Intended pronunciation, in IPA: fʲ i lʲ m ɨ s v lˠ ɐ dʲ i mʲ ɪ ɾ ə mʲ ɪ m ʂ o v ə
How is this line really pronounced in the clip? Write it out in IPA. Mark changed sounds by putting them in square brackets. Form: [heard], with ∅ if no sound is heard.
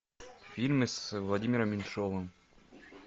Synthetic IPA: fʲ i lʲ m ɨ s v lˠ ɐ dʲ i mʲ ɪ ɾ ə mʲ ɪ [n] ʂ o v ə